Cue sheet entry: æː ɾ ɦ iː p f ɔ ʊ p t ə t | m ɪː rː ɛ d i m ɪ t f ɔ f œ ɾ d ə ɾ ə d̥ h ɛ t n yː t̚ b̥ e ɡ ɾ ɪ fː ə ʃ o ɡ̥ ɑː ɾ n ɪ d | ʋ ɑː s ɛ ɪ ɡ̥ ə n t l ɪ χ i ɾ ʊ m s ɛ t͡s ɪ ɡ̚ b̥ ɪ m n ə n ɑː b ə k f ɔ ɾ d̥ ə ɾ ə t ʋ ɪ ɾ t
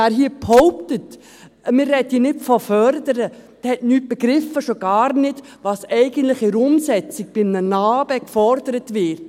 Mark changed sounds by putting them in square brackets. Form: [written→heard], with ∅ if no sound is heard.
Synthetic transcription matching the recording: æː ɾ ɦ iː p [f→h] ɔ ʊ p t ə t | m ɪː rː ɛ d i [m→n] ɪ t f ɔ f œ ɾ d ə ɾ ə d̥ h ɛ t n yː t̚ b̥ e ɡ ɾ ɪ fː ə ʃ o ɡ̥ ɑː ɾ n ɪ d | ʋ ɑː s ɛ ɪ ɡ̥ ə n t l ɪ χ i ɾ ʊ m s ɛ t͡s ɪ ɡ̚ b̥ ɪ m n ə n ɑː b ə k f ɔ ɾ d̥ ə ɾ ə t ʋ ɪ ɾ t